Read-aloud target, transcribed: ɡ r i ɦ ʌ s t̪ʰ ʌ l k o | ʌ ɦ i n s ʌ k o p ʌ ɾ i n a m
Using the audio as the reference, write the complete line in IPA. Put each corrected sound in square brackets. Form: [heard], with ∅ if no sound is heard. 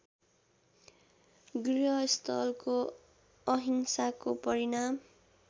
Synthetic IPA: ɡ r i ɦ ʌ s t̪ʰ ʌ l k o | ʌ ɦ i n s [a] k o p ʌ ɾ i n a m